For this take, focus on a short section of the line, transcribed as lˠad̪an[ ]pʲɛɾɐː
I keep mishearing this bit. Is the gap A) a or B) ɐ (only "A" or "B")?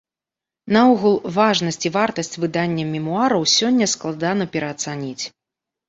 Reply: B